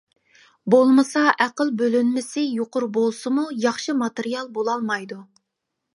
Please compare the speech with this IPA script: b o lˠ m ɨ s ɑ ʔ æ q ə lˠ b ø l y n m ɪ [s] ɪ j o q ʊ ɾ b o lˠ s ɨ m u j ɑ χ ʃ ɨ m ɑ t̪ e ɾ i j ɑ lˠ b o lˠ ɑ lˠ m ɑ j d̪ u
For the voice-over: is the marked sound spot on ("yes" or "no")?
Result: yes